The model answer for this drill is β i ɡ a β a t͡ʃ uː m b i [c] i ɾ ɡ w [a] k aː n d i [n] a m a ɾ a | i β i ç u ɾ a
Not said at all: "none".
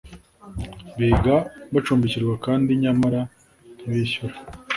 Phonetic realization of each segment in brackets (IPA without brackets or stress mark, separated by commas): c, a, ɲ